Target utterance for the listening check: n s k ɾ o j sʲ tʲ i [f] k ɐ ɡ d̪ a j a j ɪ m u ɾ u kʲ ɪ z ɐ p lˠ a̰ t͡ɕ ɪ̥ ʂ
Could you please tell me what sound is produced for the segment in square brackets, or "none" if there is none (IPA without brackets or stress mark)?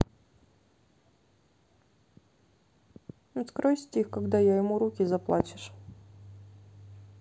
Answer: x